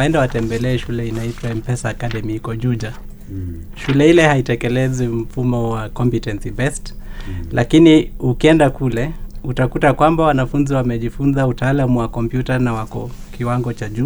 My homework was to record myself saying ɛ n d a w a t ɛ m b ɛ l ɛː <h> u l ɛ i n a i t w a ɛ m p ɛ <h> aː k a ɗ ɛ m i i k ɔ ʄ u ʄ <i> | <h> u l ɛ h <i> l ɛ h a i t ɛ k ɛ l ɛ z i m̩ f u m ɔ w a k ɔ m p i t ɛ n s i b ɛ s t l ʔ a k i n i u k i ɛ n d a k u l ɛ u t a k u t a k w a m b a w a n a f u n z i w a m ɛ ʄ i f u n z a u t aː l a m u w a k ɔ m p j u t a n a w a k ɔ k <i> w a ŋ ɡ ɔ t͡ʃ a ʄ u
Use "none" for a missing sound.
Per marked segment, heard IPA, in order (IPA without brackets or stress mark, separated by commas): ʃ, s, a, ʃ, i, i